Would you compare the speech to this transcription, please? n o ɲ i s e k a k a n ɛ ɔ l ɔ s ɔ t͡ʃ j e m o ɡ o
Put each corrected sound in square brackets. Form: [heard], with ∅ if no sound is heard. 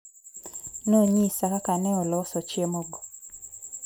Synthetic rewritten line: n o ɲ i s [a] k a k a n ɛ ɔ l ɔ s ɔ t͡ʃ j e m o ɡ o